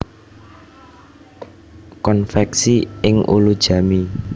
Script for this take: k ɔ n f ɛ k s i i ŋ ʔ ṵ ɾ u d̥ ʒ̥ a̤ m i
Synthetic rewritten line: k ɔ n f ɛ k s i ɪ ŋ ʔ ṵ l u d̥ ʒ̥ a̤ m i